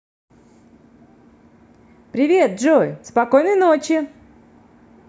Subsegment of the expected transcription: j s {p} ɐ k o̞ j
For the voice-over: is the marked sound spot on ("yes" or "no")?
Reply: yes